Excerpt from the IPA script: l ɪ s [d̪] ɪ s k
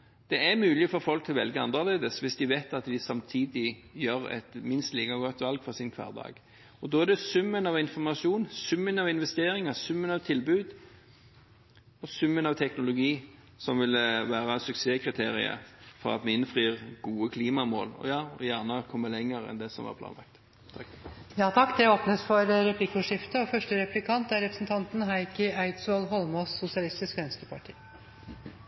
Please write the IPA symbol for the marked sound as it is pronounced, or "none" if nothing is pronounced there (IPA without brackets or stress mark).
t̪